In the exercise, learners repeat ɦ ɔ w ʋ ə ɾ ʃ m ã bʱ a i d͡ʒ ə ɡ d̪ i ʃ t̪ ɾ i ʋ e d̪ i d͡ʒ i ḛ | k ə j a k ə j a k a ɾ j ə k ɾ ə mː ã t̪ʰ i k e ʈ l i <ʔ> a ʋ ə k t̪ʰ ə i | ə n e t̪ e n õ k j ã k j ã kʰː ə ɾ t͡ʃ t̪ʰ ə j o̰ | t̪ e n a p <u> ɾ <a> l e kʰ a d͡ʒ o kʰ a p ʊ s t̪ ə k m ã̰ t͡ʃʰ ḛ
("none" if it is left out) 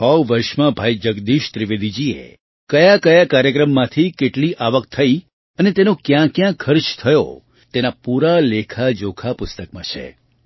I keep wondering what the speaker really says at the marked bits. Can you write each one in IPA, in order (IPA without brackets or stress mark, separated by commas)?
ʔ, u, a